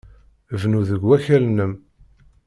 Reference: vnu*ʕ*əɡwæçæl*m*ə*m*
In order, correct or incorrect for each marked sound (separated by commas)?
incorrect, incorrect, correct